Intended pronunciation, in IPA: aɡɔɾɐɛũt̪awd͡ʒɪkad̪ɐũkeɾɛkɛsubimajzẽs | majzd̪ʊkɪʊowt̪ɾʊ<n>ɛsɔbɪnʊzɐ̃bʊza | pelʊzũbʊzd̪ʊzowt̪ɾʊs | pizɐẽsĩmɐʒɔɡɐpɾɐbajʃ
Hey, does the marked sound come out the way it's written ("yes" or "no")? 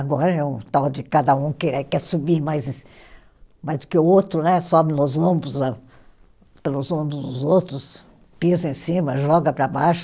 yes